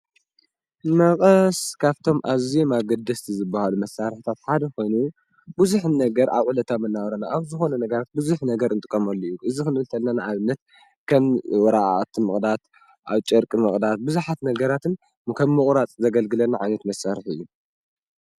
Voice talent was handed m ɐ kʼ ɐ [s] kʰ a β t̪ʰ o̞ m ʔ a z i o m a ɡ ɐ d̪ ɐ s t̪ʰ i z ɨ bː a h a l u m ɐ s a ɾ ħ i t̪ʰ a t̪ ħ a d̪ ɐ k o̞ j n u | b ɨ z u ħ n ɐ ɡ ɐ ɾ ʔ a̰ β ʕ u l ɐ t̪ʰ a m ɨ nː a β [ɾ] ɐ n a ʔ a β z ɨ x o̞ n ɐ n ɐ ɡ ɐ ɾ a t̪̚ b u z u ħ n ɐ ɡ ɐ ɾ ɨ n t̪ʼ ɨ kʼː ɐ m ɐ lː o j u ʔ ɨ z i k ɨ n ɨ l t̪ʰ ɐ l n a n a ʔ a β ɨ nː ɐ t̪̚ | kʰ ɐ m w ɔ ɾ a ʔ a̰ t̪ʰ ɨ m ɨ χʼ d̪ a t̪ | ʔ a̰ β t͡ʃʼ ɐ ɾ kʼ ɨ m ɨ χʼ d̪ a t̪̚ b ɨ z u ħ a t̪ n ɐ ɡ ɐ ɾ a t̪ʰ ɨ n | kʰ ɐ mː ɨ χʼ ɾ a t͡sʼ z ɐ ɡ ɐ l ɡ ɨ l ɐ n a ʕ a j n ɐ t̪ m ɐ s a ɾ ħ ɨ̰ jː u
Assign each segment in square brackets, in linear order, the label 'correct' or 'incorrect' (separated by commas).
correct, correct